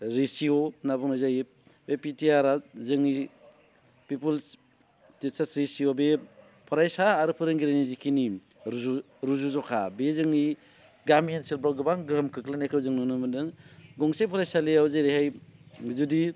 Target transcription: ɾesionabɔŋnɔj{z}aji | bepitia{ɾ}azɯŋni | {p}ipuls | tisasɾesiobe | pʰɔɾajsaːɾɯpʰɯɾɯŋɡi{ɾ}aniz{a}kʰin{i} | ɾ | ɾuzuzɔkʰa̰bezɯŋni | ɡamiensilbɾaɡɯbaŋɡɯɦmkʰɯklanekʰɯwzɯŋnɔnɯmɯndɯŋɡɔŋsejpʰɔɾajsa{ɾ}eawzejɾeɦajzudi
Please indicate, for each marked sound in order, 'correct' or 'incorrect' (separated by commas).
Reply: correct, correct, correct, correct, incorrect, correct, incorrect